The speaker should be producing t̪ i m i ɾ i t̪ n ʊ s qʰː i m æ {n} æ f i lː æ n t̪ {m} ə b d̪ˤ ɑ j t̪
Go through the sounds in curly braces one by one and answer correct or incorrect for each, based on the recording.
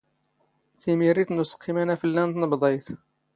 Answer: correct, incorrect: n

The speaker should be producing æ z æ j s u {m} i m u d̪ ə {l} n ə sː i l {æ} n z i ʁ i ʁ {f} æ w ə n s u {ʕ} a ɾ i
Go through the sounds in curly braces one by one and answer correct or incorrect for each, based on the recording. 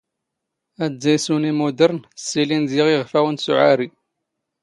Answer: incorrect: n, incorrect: ɾ, incorrect: i, correct, correct

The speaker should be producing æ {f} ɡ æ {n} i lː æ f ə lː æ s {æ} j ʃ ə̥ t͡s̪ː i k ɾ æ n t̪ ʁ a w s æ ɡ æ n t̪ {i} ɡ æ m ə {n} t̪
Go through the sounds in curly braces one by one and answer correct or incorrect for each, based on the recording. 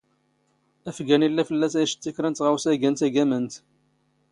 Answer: correct, correct, correct, incorrect: æ, correct

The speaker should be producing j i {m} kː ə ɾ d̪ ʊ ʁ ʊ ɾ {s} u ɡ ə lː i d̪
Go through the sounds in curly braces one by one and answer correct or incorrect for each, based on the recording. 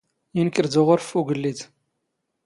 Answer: incorrect: n, incorrect: f

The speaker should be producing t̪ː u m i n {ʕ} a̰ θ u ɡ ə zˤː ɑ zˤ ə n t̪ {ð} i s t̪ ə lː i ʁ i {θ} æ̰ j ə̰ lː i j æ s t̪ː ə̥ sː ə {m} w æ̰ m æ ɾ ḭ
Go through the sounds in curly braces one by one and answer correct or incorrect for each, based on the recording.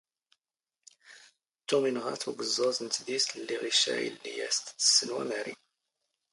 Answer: incorrect: ʁ, correct, incorrect: ʃ, incorrect: n

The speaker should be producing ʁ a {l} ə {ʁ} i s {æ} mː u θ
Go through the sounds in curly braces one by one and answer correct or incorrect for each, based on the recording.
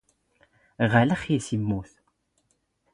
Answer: correct, incorrect: χ, incorrect: i

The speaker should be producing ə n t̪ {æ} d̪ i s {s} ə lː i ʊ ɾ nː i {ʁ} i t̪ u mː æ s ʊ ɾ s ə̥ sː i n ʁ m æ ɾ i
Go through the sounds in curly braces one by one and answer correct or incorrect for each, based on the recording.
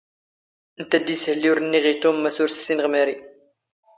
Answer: correct, incorrect: h, correct

